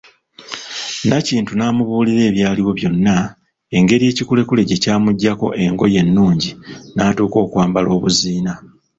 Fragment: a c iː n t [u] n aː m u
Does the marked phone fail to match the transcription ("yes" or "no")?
no